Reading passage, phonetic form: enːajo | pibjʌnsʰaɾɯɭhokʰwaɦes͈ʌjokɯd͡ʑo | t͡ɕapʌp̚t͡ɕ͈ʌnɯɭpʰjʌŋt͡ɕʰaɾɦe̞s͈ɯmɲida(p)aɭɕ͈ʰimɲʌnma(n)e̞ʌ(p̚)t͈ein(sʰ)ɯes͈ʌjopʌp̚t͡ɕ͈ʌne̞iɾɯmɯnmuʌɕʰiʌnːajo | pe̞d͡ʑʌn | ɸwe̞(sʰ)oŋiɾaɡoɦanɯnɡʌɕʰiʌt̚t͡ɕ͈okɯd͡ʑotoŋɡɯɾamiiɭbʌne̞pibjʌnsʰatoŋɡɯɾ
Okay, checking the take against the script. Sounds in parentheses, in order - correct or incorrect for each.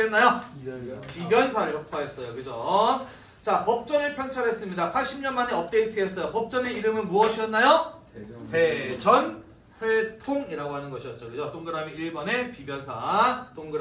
incorrect: pʰ, correct, correct, incorrect: tʰ, incorrect: tʰ

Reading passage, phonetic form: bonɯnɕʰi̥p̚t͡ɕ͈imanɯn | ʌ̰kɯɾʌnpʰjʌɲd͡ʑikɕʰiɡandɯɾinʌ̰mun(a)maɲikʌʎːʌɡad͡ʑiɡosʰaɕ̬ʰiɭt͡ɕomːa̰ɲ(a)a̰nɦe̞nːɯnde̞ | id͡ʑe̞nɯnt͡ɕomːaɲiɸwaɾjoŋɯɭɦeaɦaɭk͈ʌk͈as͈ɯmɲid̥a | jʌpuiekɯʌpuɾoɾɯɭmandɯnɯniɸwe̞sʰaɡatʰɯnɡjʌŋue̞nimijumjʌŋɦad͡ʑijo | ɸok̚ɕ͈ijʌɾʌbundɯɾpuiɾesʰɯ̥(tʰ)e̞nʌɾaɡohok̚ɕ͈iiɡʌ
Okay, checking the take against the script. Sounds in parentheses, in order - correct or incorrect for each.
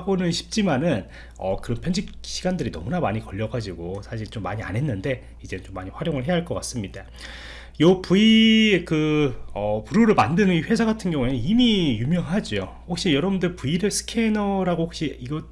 correct, incorrect: i, incorrect: kʰ

